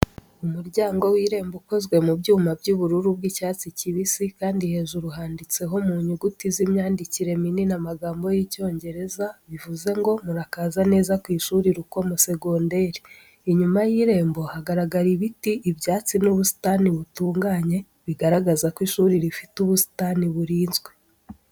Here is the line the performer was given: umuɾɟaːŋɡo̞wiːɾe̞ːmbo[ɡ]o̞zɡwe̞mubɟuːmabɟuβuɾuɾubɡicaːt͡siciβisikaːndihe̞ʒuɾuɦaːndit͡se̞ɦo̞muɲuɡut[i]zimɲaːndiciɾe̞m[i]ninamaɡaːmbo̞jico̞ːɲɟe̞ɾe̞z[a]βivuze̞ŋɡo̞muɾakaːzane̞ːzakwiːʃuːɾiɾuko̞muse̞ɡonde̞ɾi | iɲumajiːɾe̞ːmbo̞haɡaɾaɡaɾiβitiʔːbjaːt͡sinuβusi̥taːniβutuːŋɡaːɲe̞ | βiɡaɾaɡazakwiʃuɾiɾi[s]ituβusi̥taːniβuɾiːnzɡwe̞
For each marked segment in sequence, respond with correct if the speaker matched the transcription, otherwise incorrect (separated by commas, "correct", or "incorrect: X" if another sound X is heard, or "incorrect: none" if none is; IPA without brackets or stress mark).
incorrect: k, correct, correct, correct, incorrect: f